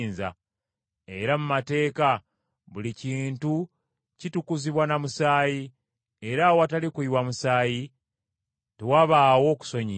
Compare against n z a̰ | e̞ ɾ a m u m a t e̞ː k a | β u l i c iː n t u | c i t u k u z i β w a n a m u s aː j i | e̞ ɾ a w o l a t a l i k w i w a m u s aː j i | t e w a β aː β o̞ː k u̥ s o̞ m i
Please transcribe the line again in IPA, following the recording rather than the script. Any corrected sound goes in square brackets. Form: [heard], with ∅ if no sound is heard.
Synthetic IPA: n z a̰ | e̞ ɾ a m u m a t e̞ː k a | β u l i c iː n t u | c i t u k u z i β w a n a m u s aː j i | e̞ ɾ a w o [∅] a t a l i k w i w a m u s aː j i | t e w a β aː [w] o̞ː k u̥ s o̞ [ɲ] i